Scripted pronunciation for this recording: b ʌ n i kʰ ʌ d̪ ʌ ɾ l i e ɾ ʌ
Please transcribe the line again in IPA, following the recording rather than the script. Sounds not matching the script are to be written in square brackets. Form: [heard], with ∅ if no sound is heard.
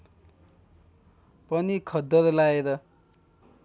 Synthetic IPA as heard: [p] ʌ n i kʰ ʌ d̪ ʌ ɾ l [a] e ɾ ʌ